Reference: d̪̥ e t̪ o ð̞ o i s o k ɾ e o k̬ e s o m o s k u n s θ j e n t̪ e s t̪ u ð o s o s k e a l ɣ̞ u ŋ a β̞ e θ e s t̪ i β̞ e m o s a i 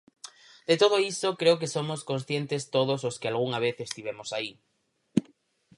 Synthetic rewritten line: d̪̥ e t̪ o ð̞ o i s o k ɾ e o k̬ e s o m o s k o n s θ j e n t̪ e s t̪ o ð o s o s k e a l ɣ̞ u ŋ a β̞ e θ e s t̪ i β̞ e m o s a i